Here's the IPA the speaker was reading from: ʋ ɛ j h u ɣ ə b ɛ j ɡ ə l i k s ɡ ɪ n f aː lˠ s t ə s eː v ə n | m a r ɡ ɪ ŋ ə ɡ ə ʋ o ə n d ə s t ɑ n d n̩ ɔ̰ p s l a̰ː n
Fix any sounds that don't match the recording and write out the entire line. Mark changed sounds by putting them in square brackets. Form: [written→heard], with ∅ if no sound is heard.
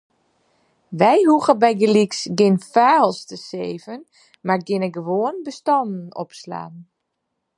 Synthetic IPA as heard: ʋ ɛ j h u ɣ ə b ɛ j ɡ ə l i k s ɡ ɪ n f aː lˠ s t ə s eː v ə n | m a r ɡ ɪ [ŋ→n] ə ɡ ə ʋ o ə n [d→b] ə s t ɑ n d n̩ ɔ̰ p s l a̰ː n